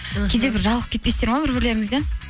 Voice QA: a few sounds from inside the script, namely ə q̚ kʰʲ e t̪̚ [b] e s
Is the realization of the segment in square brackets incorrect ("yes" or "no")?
yes